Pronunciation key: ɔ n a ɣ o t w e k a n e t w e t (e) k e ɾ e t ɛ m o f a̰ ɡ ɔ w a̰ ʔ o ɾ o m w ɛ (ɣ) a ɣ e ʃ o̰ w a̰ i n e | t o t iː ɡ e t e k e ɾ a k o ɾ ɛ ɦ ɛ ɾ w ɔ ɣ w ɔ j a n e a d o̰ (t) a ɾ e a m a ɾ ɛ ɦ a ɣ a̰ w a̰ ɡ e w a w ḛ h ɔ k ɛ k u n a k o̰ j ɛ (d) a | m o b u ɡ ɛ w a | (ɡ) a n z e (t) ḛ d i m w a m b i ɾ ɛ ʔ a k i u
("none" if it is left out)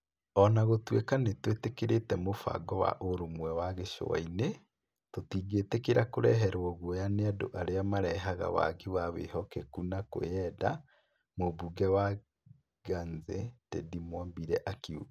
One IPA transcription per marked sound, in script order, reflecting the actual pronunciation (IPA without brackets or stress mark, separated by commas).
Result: e, w, ʔ, d, ɡ, t